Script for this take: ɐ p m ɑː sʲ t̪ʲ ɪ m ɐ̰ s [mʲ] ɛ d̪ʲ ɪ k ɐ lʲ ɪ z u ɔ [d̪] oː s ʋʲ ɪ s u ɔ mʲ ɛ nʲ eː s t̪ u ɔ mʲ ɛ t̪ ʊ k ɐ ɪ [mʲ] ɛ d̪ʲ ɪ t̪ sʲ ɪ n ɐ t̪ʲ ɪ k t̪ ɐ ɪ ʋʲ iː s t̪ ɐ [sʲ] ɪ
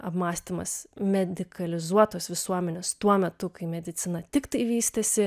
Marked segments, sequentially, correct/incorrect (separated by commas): correct, incorrect, correct, correct